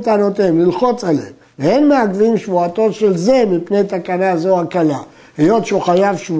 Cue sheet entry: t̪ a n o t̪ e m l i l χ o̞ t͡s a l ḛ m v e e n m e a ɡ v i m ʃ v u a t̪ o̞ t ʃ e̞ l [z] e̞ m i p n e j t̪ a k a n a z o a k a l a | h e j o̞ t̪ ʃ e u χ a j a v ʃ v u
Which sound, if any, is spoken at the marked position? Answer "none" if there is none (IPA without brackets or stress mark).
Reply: z